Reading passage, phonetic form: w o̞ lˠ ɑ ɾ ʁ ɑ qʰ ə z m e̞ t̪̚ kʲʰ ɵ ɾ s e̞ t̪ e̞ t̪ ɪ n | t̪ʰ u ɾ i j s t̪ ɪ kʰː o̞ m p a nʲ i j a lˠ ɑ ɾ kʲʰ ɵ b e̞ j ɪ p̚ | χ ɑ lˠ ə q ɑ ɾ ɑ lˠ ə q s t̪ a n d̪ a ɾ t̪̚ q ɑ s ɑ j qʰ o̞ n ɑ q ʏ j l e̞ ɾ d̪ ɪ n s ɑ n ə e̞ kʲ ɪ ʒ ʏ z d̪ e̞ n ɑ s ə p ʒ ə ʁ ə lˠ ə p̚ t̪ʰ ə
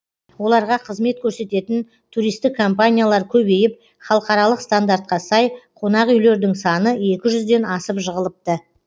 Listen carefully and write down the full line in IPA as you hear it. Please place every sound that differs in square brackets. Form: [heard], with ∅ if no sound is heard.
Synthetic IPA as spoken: w o̞ lˠ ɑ ɾ ʁ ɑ qʰ ə z m e̞ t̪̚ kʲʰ ɵ ɾ s e̞ t̪ e̞ t̪ ɪ n | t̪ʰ u ɾ i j s t̪ ɪ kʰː o̞ m p a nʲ i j a lˠ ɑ ɾ kʲʰ ɵ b e̞ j ɪ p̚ | χ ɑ lˠ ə q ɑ ɾ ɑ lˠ ə q s t̪ a n d̪ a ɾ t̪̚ q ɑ s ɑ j qʰ o̞ n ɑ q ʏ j l e̞ ɾ d̪ ɪ [ŋ] s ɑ n ə e̞ kʲ ɪ ʒ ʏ z d̪ e̞ n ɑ s ə p ʒ ə ʁ ə lˠ ə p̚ [t̪] ə